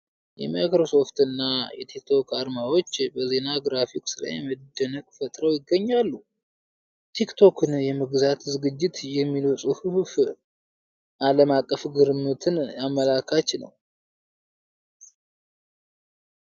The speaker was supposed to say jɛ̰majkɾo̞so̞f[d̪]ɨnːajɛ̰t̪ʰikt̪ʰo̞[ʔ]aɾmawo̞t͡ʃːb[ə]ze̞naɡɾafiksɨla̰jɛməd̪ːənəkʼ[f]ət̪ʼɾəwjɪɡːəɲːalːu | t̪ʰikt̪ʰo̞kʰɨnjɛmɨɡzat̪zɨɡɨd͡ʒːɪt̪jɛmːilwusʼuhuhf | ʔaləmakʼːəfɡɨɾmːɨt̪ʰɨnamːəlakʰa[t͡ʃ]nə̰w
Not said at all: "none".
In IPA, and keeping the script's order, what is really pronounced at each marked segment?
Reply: t̪, k, ə, f, t͡ʃ

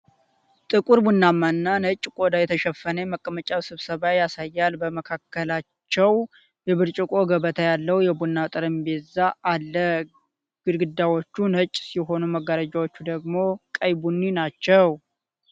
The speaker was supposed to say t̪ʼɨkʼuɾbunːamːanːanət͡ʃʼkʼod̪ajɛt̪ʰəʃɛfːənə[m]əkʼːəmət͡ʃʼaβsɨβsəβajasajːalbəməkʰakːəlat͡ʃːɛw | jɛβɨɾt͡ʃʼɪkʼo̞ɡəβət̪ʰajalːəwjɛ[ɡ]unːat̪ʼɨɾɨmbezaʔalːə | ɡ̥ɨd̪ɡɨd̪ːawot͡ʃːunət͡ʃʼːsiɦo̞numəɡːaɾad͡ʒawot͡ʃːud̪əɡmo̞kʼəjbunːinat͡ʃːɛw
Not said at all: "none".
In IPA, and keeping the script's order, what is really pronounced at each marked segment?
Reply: m, b

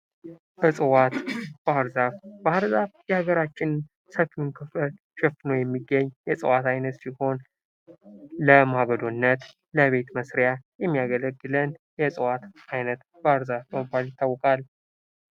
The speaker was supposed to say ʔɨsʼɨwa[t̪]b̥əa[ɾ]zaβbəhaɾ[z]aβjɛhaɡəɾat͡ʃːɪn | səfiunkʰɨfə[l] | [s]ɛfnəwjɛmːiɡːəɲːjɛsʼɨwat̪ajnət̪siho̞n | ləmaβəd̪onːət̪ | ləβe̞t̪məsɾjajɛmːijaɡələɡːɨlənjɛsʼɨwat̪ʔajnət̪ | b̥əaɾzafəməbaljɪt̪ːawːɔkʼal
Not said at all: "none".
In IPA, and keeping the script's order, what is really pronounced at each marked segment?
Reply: t̪, ɾ, z, l, ʃ

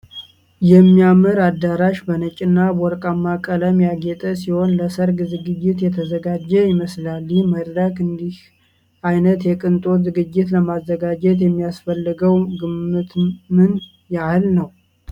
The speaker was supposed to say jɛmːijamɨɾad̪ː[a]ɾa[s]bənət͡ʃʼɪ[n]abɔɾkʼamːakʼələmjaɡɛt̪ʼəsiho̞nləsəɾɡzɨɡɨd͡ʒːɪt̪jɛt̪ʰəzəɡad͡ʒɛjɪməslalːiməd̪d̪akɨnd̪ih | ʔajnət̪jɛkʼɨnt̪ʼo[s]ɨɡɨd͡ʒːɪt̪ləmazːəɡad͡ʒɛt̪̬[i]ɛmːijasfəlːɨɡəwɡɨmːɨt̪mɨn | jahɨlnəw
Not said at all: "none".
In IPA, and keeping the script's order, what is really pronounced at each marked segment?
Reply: a, ʃ, nː, z, j

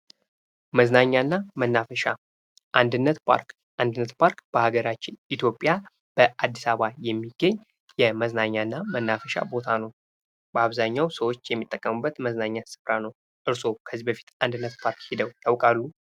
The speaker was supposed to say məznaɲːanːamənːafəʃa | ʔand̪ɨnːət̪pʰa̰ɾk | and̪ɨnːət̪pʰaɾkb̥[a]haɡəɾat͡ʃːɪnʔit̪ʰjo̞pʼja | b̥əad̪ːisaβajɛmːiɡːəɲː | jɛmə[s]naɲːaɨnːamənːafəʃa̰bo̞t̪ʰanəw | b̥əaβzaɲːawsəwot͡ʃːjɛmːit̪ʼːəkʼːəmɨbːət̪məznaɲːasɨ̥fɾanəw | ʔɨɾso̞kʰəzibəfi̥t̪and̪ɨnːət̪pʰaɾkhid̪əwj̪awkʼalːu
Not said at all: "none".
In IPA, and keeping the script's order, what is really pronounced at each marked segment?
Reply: ə, z

